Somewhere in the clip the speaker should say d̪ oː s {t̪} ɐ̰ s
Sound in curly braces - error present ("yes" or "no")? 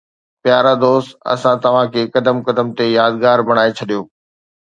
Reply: no